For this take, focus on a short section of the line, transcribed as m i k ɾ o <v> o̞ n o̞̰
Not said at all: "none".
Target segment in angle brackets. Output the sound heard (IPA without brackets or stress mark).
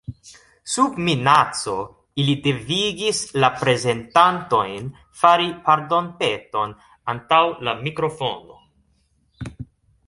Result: f